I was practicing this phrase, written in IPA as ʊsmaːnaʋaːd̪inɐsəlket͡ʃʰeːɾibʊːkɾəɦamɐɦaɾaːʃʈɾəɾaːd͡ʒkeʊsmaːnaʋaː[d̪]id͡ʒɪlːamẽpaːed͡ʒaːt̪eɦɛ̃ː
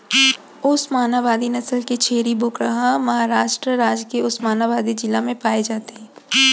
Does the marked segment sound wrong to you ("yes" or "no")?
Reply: no